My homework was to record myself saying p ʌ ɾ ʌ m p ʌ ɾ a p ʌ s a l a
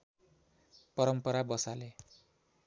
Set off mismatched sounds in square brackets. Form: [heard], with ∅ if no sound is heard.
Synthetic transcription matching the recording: p ʌ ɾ ʌ m p ʌ ɾ a [b] ʌ s a l [e]